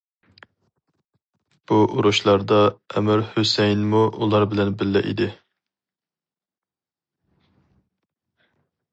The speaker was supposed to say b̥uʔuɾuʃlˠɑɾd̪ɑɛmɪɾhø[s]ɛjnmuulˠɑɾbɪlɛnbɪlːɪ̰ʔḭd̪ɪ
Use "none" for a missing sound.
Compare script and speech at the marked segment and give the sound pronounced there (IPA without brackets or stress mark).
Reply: s